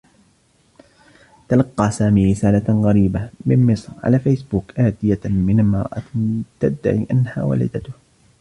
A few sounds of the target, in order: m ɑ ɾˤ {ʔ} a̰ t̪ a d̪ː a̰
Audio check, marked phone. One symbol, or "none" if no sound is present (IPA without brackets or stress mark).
ʔ